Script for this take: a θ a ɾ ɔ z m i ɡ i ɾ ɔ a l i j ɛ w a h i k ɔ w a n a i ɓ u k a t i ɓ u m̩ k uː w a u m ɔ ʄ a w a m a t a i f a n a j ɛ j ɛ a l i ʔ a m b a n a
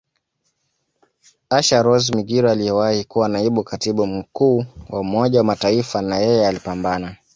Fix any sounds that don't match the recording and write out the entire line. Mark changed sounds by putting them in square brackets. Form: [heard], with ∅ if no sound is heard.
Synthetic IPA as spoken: a [ʃ] a ɾ ɔ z m i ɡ i ɾ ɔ a l i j ɛ w a h i k [u] w a n a i ɓ u k a t i ɓ u m̩ k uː w a u m ɔ ʄ a w a m a t a i f a n a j ɛ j ɛ a l i [p] a m b a n a